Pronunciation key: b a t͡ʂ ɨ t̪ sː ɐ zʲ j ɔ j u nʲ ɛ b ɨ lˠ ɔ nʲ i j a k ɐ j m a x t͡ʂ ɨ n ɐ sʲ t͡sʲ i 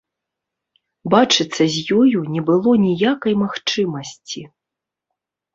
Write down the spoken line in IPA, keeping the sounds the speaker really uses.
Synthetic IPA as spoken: b a t͡ʂ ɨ t̪ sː ɐ zʲ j ɔ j u nʲ ɛ b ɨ lˠ ɔ nʲ i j a k ɐ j m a x t͡ʂ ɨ m ɐ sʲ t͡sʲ i